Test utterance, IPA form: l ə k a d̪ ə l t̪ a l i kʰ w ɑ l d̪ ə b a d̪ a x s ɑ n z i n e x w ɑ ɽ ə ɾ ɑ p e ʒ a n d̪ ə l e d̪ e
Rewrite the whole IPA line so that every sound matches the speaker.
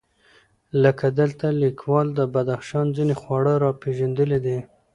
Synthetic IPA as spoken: l ə k a d̪ ə l t̪ a l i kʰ w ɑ l d̪ ə b a d̪ a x ʃ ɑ n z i n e x w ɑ ɽ ə ɾ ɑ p e ʒ a n d̪ ə l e d̪ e